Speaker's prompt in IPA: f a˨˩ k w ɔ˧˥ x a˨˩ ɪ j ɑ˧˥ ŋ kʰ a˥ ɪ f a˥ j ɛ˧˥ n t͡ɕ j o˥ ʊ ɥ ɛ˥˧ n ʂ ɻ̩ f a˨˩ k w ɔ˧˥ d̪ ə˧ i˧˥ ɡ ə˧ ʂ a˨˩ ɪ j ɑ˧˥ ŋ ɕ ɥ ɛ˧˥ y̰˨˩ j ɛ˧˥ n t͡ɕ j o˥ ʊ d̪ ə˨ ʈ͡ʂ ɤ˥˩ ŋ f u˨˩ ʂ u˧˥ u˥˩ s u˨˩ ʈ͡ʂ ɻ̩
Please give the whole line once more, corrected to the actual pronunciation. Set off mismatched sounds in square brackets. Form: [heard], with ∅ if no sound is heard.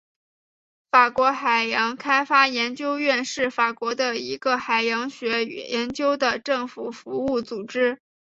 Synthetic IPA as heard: f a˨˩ k w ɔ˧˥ x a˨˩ ɪ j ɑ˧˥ ŋ kʰ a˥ ɪ f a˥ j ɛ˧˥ n t͡ɕ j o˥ ʊ ɥ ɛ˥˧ n ʂ ɻ̩ f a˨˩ k w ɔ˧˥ d̪ ə˧ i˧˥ ɡ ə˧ [x] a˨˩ ɪ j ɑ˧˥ ŋ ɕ ɥ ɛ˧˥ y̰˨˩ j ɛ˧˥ n t͡ɕ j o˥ ʊ d̪ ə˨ ʈ͡ʂ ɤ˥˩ ŋ f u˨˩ [f] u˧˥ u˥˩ [t͡s] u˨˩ ʈ͡ʂ ɻ̩

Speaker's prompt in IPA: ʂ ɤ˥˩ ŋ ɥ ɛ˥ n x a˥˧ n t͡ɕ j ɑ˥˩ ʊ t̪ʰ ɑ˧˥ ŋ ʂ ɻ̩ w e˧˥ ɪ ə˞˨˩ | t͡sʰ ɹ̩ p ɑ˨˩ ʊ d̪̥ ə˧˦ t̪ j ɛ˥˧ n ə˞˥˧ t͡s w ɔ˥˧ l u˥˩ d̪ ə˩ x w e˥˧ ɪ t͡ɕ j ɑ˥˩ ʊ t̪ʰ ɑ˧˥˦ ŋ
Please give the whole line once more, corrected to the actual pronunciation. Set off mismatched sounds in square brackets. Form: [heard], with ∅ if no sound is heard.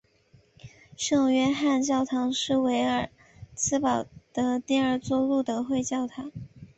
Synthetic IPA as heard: ʂ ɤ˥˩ ŋ ɥ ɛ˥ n x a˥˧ n t͡ɕ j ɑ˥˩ ʊ t̪ʰ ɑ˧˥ ŋ ʂ ɻ̩ w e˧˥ ɪ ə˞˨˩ | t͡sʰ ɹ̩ p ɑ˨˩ ʊ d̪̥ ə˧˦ t̪ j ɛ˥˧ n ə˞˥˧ t͡s w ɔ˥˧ l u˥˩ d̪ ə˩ x w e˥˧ ɪ t͡ɕ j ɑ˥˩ ʊ t̪ʰ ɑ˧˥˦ ŋ

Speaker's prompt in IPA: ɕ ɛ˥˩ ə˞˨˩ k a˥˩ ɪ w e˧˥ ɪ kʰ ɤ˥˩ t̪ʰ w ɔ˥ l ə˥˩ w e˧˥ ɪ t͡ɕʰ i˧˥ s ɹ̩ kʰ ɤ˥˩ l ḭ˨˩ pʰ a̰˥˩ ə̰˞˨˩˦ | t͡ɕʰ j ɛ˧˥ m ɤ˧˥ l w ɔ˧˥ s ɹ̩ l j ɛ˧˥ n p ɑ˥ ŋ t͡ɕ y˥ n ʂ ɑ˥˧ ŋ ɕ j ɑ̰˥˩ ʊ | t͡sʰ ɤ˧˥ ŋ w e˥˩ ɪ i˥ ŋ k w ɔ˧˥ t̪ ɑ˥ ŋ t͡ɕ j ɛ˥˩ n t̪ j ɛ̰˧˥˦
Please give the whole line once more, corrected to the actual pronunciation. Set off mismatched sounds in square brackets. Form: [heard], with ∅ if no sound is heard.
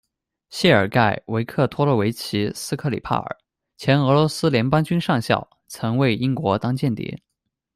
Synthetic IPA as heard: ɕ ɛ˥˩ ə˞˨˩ k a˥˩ ɪ w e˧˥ ɪ kʰ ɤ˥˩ t̪ʰ w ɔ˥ l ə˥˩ w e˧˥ ɪ t͡ɕʰ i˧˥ s ɹ̩ kʰ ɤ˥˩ l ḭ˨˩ pʰ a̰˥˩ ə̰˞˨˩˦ | t͡ɕʰ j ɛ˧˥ [n] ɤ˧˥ l w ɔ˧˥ s ɹ̩ l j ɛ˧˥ n p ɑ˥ ŋ t͡ɕ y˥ n ʂ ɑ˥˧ ŋ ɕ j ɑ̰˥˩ ʊ | t͡sʰ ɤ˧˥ ŋ w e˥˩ ɪ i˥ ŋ k w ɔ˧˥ t̪ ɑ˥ ŋ t͡ɕ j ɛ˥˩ n t̪ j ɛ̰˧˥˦

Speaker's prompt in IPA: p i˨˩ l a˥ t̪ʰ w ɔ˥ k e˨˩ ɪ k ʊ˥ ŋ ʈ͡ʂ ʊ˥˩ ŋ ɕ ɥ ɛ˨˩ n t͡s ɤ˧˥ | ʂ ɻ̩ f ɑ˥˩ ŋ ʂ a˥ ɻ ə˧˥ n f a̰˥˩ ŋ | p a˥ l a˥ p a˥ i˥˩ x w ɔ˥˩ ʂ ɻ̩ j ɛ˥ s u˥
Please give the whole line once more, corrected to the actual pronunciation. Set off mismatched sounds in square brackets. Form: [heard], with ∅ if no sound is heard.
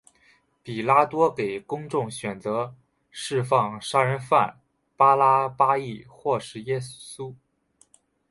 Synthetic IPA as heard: p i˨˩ l a˥ [t̪] w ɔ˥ k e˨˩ ɪ k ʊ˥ ŋ ʈ͡ʂ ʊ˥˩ ŋ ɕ ɥ ɛ˨˩ n t͡s ɤ˧˥ | ʂ ɻ̩ f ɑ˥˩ ŋ ʂ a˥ ɻ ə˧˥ n f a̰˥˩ [n] | p a˥ l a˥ p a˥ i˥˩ x w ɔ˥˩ ʂ ɻ̩ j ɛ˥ s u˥

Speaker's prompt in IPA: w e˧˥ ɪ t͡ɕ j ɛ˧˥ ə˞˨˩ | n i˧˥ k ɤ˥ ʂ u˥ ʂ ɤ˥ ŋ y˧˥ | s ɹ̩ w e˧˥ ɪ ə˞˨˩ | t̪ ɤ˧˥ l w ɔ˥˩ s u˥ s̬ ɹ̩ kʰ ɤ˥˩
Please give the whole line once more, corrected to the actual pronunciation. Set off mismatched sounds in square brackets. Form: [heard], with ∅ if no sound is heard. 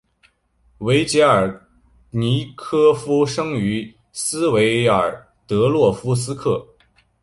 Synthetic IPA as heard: w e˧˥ ɪ t͡ɕ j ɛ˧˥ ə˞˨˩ | n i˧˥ [kʰ] ɤ˥ [f] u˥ ʂ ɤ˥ ŋ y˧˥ | s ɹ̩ w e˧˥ ɪ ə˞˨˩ | t̪ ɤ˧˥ l w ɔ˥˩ [f] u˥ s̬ ɹ̩ kʰ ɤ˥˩

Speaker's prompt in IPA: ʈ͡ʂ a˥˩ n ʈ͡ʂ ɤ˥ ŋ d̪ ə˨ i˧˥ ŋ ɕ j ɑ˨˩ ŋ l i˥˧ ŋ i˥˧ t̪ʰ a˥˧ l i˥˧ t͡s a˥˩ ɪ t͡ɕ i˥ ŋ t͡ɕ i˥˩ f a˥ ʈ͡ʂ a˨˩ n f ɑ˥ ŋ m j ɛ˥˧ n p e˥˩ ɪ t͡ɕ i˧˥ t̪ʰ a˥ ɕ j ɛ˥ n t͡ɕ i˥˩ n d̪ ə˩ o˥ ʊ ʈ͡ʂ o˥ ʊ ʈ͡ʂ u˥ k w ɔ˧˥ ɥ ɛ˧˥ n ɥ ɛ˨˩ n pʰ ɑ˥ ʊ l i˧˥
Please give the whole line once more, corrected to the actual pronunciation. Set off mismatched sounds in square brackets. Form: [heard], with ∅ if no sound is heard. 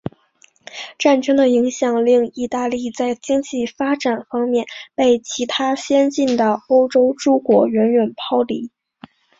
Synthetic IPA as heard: ʈ͡ʂ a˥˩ n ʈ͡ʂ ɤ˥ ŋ d̪ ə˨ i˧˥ ŋ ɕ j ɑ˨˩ ŋ l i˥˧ ŋ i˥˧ [t̪] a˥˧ l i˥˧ t͡s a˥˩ ɪ t͡ɕ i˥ ŋ t͡ɕ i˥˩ f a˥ ʈ͡ʂ a˨˩ n f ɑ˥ ŋ m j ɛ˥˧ n p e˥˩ ɪ [t͡ɕʰ] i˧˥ t̪ʰ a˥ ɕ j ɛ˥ n t͡ɕ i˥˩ n d̪ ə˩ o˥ ʊ ʈ͡ʂ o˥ ʊ ʈ͡ʂ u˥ k w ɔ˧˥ ɥ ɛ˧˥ n ɥ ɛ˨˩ n pʰ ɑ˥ ʊ l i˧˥

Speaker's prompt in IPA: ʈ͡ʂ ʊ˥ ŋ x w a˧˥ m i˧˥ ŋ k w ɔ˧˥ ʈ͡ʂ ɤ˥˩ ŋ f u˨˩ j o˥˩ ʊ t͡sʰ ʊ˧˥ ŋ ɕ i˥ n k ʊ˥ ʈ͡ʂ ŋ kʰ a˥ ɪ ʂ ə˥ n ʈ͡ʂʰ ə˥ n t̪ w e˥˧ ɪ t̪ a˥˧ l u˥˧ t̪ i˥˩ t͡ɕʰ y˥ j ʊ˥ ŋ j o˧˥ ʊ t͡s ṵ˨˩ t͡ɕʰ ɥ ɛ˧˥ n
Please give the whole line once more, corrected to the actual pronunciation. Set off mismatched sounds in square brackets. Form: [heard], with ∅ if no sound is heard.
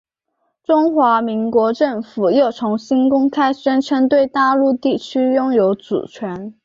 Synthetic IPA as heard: ʈ͡ʂ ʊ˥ ŋ x w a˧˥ m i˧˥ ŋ k w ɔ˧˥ ʈ͡ʂ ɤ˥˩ ŋ f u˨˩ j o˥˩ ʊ t͡sʰ ʊ˧˥ ŋ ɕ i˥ n k ʊ˥ [∅] ŋ kʰ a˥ ɪ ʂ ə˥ n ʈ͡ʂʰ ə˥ n t̪ w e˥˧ ɪ t̪ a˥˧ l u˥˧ t̪ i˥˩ t͡ɕʰ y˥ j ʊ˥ ŋ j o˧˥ ʊ t͡s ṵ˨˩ t͡ɕʰ ɥ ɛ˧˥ n

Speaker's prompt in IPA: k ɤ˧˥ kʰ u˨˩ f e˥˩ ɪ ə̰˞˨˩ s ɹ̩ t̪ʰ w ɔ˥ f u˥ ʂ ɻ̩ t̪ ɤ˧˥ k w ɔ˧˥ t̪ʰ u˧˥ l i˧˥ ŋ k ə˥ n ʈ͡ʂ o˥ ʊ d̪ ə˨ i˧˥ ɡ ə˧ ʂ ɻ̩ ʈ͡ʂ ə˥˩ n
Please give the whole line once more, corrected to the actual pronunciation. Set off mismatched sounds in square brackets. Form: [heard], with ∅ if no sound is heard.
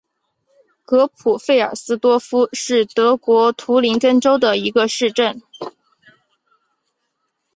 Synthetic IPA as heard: k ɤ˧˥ [pʰ] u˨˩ f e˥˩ ɪ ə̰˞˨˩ s ɹ̩ [t̪] w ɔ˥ f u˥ ʂ ɻ̩ t̪ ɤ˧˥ k w ɔ˧˥ t̪ʰ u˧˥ l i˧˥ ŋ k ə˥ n ʈ͡ʂ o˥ ʊ d̪ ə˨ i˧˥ ɡ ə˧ ʂ ɻ̩ ʈ͡ʂ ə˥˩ n

